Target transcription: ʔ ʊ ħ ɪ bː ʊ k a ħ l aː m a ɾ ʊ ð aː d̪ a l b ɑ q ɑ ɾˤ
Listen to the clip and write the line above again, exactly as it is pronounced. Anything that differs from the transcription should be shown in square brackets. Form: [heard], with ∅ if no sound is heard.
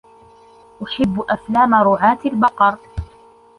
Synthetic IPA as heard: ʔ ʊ ħ ɪ bː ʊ [ʔ] a [f] l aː m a ɾ ʊ [ʕ] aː [t̪] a l b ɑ q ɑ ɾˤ